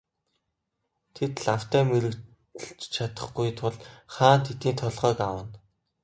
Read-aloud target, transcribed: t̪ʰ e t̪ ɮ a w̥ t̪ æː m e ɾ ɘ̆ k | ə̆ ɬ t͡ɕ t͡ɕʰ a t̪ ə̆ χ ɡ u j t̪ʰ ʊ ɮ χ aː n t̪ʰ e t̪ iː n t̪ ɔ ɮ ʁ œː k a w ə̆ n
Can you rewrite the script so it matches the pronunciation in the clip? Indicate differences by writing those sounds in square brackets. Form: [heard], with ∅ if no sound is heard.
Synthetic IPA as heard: t̪ʰ e t̪ ɮ a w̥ t̪ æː m e ɾ ɘ̆ k | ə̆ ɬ t͡ɕ t͡ɕʰ a t̪ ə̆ χ ɡ u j t̪ʰ ʊ ɮ χ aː n t̪ʰ e t̪ iː n [t̪ʰ] ɔ ɮ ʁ œː k a w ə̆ n

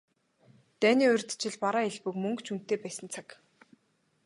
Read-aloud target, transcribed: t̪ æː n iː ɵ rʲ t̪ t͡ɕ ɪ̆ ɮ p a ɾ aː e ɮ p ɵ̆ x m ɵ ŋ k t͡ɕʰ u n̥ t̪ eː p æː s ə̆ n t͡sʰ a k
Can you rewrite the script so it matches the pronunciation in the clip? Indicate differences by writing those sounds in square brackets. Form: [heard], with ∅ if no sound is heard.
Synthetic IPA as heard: t̪ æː n iː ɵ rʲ t̪ t͡ɕ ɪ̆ ɮ p a ɾ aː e ɮ p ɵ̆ [k] m ɵ ŋ k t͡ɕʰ u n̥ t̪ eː p æː s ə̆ n t͡sʰ a k

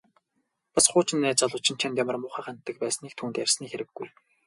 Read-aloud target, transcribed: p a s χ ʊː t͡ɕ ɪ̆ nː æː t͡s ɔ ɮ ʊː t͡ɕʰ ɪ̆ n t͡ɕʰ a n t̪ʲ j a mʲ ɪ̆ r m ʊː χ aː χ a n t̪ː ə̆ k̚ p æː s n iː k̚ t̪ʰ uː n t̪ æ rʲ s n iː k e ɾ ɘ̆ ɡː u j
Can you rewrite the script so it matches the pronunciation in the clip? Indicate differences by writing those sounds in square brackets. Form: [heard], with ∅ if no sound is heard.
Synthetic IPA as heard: p a s χ ʊː t͡ɕ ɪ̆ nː æː t͡s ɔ ɮ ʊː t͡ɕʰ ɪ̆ n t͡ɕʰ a n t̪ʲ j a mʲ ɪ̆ r m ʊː χ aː χ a n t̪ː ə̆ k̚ p æː s n iː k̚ t̪ʰ uː n t̪ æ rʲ s n iː [x] e ɾ ɘ̆ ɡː u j

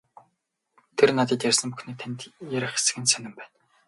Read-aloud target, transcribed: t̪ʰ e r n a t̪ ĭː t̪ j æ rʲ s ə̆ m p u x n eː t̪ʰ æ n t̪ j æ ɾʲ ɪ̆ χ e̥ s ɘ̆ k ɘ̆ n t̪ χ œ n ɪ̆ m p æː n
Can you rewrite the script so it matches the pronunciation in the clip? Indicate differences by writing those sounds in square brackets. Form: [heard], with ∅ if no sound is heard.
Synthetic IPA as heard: t̪ʰ e r n a t̪ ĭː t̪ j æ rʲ s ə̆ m p u x n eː t̪ʰ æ n t̪ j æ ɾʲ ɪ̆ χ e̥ s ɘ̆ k ɘ̆ n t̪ [s] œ n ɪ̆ m p æː n

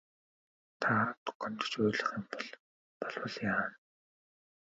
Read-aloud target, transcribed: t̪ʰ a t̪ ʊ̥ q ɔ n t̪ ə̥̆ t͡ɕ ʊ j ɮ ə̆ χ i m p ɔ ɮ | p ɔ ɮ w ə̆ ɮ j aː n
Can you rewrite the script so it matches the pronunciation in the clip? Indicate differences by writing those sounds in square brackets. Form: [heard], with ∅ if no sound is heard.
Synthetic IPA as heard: t̪ʰ a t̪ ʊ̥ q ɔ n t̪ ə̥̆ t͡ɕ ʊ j ɮ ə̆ χ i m p ɔ ɮ | p ɔ ɮ w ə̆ ɮ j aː n

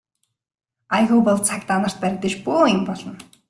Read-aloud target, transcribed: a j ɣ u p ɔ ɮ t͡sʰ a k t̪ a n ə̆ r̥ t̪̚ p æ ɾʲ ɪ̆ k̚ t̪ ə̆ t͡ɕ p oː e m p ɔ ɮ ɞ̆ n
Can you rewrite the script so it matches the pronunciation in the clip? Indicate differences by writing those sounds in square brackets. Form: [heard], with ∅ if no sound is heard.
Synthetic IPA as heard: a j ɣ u p ɔ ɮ t͡sʰ a k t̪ a n ə̆ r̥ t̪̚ p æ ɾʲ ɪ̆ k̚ t̪ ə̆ t͡ɕ p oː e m p ɔ ɮ ɞ̆ n

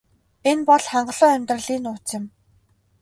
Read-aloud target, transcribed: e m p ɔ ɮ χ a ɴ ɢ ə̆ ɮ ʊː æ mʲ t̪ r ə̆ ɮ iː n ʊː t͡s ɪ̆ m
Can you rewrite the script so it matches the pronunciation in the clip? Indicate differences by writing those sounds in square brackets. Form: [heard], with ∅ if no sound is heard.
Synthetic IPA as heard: e [n] p ɔ ɮ χ a ɴ ɢ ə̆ ɮ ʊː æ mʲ t̪ r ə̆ ɮ iː n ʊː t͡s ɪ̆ m

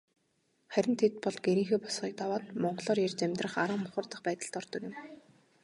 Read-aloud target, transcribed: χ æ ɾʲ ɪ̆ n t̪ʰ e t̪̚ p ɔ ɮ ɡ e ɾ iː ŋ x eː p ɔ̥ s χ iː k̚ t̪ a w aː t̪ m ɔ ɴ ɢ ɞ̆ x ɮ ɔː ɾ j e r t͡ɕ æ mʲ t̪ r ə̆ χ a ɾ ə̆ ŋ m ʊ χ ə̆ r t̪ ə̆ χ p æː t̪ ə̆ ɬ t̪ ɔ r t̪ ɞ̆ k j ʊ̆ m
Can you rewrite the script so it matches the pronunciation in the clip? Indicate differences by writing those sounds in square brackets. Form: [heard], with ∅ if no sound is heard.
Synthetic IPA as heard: χ æ ɾʲ ɪ̆ n t̪ʰ e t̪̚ p ɔ ɮ ɡ e ɾ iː ŋ x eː p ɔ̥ s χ iː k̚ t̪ a w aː t̪ m ɔ ɴ ɢ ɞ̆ [∅] ɮ ɔː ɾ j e r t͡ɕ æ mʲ t̪ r ə̆ χ a ɾ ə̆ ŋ m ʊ χ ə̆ r t̪ ə̆ χ p æː t̪ ə̆ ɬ t̪ ɔ r t̪ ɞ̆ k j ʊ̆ m

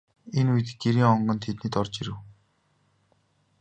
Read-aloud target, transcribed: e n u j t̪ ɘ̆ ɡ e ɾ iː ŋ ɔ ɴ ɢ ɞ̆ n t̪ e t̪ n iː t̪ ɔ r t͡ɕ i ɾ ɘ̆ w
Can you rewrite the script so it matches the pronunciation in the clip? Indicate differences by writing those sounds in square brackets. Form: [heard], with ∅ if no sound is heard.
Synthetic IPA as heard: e n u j t̪ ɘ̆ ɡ e ɾ iː ŋ ɔ ɴ ɢ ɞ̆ n [t̪ʰ] e t̪ n iː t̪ ɔ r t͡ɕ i ɾ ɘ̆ w

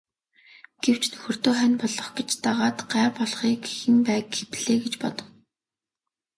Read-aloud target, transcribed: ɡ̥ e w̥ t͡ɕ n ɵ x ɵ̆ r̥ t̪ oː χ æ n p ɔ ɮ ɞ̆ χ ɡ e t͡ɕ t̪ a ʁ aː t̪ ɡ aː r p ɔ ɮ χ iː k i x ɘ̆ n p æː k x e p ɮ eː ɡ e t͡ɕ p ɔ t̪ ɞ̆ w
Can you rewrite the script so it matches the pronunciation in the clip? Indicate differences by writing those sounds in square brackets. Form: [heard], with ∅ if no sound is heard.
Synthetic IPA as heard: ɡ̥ e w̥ t͡ɕ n ɵ x ɵ̆ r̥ t̪ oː χ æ n p ɔ ɮ ɞ̆ χ ɡ e t͡ɕ t̪ a ʁ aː t̪ [ɢ] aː r p ɔ ɮ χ iː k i x ɘ̆ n p æː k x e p ɮ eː ɡ e t͡ɕ p ɔ t̪ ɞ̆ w

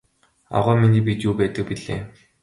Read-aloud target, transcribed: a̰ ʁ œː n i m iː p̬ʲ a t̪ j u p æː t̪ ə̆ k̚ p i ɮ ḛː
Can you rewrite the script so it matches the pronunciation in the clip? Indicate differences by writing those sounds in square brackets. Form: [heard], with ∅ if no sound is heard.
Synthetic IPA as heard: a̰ ʁ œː [m] i [n] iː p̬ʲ [i] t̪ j u p æː t̪ ə̆ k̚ p i ɮ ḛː

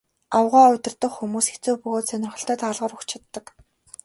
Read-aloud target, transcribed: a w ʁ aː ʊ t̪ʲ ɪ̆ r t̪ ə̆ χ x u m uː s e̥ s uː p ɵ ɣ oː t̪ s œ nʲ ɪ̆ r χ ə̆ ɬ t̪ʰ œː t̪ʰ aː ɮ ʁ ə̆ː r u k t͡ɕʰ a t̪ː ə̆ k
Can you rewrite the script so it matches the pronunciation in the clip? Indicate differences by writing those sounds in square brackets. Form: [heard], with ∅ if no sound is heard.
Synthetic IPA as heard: a w ʁ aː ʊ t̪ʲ ɪ̆ r t̪ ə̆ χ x u m uː s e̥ [t͡s] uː p ɵ ɣ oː t̪ s œ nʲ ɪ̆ r χ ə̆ ɬ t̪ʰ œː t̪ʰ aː ɮ ʁ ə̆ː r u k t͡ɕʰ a t̪ː ə̆ k

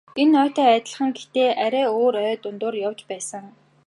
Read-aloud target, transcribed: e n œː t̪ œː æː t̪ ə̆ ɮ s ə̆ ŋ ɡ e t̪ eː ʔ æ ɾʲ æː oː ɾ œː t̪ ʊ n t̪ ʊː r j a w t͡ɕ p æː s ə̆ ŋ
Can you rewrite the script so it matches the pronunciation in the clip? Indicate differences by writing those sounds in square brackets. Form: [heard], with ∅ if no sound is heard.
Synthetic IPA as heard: e n œː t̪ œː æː t̪ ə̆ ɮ [χ] ə̆ ŋ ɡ e t̪ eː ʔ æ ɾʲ æː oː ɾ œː t̪ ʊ n t̪ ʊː r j a w t͡ɕ p æː s ə̆ ŋ

